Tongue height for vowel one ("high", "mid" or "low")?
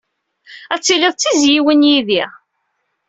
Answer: low